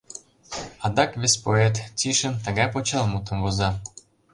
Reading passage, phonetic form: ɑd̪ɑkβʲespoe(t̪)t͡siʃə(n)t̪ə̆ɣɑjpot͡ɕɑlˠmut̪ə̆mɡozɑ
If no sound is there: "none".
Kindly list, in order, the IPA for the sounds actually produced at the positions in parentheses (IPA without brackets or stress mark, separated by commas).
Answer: t̪, n